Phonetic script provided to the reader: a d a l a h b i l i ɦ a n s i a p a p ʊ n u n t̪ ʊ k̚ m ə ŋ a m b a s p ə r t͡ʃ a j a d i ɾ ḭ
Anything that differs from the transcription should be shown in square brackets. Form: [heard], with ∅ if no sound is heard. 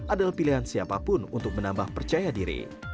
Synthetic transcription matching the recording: a d a l a h [p] i l i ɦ a n s i a p a p ʊ n u n t̪ ʊ k̚ m ə [n] a m b a [h] p ə r t͡ʃ a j a d i ɾ ḭ

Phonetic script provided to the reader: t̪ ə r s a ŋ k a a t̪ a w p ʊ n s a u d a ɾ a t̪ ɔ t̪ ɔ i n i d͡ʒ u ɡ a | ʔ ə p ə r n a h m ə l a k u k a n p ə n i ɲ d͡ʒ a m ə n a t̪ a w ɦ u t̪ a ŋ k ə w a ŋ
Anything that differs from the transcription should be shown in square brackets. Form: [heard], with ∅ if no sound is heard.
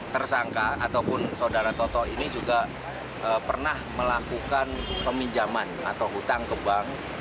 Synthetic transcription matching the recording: t̪ ə r s a ŋ k a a t̪ a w p ʊ n s a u d a ɾ a t̪ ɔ t̪ ɔ i n i d͡ʒ u ɡ a | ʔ ə p ə r n a h m ə l a k u k a n p ə [m] i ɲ d͡ʒ a m [a] n a t̪ a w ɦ u t̪ a ŋ k ə [b] a ŋ

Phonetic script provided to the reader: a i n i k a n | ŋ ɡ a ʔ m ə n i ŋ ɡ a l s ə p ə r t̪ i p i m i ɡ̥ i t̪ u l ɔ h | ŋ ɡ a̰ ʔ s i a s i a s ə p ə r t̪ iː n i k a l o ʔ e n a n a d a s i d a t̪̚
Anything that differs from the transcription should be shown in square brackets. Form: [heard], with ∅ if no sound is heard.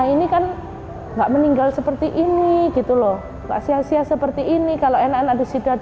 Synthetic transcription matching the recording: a i n i k a n | ŋ ɡ a ʔ m ə n i ŋ ɡ a l s ə p ə r t̪ i [ʔ] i [n] i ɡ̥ i t̪ u l ɔ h | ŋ ɡ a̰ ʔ s i a s i a s ə p ə r t̪ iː n i k a l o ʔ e n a n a d a s i d a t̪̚

